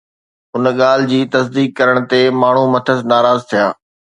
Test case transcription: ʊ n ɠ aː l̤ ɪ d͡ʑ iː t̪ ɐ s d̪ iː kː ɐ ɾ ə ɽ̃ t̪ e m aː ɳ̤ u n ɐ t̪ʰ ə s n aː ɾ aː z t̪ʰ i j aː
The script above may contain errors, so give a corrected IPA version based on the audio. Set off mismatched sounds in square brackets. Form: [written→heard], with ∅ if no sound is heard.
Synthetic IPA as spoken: ʊ n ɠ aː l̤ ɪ d͡ʑ iː t̪ ɐ s d̪ iː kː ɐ ɾ ə ɽ̃ t̪ e m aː ɳ̤ u [n→m] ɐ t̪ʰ ə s n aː ɾ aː z t̪ʰ i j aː